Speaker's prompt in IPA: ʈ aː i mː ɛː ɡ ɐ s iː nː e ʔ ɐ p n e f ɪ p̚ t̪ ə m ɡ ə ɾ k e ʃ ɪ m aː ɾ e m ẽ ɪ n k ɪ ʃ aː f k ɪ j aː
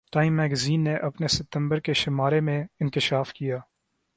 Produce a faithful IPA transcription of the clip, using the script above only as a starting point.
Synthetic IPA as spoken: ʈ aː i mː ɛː ɡ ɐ z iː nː e ʔ ɐ p n e s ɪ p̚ t̪ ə m b ə ɾ k e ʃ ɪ m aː ɾ e m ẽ ɪ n k ɪ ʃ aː f k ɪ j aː